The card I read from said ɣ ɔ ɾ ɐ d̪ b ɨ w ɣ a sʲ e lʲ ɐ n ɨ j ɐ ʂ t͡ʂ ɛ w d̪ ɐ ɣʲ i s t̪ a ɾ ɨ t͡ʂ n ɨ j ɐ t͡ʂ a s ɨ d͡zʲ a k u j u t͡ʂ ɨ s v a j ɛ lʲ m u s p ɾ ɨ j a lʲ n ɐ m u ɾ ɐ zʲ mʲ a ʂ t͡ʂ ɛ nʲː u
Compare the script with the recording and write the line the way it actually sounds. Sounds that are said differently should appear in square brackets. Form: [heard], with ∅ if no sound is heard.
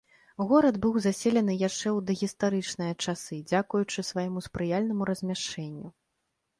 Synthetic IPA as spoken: ɣ ɔ ɾ ɐ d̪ b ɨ w [z] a sʲ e lʲ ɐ n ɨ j [a] ʂ t͡ʂ ɛ w d̪ ɐ ɣʲ i s t̪ a ɾ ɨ t͡ʂ n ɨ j ɐ t͡ʂ a s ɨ d͡zʲ a k u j u t͡ʂ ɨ s v a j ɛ [∅] m u s p ɾ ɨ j a lʲ n ɐ m u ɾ ɐ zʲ mʲ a ʂ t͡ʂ ɛ nʲː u